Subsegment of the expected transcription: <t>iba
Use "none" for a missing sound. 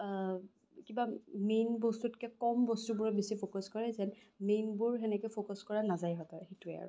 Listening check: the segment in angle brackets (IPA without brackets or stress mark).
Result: k